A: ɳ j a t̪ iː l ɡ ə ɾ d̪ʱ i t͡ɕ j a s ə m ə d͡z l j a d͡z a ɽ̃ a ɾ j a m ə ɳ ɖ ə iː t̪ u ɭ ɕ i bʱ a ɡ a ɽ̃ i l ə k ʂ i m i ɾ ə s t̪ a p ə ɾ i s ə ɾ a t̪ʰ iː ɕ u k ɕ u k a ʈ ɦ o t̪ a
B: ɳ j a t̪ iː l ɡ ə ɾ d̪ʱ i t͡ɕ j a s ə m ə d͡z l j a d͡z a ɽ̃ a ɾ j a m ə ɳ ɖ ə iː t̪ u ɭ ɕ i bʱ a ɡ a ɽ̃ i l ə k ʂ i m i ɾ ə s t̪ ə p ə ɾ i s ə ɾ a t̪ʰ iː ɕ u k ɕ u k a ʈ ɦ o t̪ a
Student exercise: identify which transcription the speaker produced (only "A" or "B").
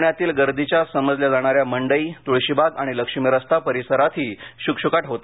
A